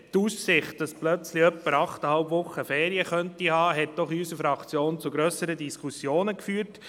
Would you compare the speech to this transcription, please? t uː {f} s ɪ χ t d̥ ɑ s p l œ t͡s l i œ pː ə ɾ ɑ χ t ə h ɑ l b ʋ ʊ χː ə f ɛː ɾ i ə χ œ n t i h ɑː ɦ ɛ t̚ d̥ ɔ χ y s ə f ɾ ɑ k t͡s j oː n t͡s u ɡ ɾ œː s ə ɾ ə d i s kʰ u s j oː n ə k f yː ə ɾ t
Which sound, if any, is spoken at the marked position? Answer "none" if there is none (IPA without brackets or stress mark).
s